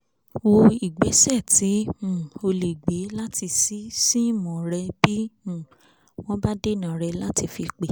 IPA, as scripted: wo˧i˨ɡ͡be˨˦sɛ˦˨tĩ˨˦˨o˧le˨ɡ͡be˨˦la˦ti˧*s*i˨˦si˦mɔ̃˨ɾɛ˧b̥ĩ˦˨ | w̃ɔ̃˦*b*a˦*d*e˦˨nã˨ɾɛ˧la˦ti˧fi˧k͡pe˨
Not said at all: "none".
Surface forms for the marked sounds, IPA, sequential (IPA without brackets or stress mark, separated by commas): s, b, d